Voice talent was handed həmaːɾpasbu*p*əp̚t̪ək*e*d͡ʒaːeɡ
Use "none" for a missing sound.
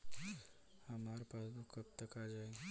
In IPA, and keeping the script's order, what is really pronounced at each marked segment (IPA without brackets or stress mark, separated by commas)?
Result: k, a